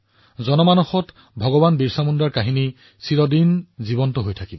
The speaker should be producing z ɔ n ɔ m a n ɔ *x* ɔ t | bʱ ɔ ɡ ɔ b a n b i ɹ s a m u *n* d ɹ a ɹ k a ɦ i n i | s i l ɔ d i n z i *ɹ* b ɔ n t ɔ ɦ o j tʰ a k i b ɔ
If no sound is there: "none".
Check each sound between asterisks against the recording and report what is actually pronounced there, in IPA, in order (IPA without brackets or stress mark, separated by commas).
x, n, none